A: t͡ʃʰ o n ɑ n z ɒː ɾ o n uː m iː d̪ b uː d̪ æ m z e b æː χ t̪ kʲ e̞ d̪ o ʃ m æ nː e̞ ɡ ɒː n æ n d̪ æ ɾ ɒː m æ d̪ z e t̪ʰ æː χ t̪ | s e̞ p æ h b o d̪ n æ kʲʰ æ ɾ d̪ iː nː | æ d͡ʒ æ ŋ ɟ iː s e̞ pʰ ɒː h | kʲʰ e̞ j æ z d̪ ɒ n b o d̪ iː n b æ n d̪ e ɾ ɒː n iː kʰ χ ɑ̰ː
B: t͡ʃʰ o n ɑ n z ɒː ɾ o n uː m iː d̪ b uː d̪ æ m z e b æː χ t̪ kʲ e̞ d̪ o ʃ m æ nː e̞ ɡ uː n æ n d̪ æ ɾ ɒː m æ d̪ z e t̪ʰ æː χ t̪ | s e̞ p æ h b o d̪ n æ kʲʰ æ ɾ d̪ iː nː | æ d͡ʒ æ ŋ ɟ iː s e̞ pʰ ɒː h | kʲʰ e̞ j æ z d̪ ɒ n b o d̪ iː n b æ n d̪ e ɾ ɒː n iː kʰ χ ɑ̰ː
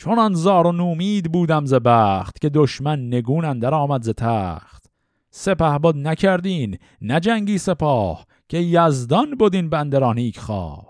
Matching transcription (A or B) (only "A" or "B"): B